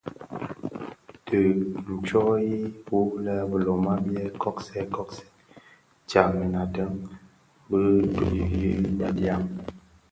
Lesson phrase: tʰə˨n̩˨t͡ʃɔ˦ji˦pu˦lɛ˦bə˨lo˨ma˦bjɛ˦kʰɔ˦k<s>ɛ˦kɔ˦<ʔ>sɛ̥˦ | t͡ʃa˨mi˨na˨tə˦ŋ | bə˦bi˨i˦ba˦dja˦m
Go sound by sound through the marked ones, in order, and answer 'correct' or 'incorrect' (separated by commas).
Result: correct, incorrect